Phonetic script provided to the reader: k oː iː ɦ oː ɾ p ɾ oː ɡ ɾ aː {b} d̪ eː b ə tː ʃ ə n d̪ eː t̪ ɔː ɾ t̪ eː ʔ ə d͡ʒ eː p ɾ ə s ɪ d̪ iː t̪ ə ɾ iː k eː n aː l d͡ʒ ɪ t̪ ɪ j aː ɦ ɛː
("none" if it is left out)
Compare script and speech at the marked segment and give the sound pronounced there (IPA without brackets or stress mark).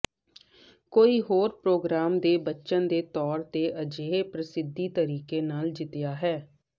m